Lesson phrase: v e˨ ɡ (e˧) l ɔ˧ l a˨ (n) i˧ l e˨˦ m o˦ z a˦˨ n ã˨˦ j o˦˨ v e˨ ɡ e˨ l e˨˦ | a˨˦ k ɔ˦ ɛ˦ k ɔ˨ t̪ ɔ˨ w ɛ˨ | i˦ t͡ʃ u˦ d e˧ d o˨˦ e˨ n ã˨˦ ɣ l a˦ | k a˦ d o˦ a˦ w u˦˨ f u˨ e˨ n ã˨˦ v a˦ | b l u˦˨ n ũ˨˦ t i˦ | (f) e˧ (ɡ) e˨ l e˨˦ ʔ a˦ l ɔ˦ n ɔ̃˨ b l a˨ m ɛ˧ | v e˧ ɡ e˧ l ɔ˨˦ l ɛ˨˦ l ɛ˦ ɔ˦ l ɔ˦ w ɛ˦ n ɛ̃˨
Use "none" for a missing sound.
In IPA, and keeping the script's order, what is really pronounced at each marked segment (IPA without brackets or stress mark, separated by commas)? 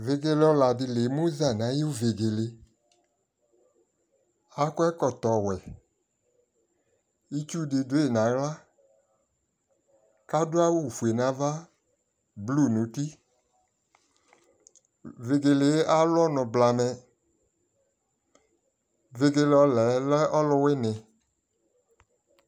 e˧, d, v, ɡ